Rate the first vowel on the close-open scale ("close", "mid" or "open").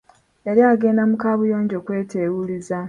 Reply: mid